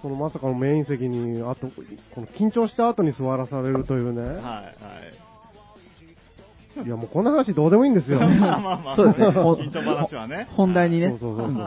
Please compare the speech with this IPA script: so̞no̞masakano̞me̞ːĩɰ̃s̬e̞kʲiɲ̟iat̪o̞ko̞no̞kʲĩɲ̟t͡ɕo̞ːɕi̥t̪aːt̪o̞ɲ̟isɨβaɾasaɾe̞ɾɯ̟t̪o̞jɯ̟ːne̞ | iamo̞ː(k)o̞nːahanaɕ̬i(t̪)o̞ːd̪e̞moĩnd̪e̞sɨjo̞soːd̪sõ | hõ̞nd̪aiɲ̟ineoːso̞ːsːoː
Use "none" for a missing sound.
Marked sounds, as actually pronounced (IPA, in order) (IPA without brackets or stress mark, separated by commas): k, d̪